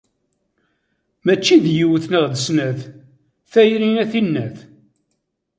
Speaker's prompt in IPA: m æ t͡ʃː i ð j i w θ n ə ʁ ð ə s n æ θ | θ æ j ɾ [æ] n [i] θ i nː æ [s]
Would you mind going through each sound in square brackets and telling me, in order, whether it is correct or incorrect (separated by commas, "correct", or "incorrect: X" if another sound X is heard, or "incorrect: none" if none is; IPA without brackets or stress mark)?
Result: incorrect: i, incorrect: æ, incorrect: θ